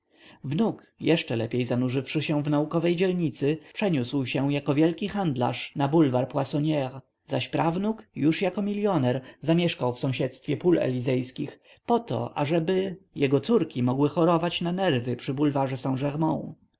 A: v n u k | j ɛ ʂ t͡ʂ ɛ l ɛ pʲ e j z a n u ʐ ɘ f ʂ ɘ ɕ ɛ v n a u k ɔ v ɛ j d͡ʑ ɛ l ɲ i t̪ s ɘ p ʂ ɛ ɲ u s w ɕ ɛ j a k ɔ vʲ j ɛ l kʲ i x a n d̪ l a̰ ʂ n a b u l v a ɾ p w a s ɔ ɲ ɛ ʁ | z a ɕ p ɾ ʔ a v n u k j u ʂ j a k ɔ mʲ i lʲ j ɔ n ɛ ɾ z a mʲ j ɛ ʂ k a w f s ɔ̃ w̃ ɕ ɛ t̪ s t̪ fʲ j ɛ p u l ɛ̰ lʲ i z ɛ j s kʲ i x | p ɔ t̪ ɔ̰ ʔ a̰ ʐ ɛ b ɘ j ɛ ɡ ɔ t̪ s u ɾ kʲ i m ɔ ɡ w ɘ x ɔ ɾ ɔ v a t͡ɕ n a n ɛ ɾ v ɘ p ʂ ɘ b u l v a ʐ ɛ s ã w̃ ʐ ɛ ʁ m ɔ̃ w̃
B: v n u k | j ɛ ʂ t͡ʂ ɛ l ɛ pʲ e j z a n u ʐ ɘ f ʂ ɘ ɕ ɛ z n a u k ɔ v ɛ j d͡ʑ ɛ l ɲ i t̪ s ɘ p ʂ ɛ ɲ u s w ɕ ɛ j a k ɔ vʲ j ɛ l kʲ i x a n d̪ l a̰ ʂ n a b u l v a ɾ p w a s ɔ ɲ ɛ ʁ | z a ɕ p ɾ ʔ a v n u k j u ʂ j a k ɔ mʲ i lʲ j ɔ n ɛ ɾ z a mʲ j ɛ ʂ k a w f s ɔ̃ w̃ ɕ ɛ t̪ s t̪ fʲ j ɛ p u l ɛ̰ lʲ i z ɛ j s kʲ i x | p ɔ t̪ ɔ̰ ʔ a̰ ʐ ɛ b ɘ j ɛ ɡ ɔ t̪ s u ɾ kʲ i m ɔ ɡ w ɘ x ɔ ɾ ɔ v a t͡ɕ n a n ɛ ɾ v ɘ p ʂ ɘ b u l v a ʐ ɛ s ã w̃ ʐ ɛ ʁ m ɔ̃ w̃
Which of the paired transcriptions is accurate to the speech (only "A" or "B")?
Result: A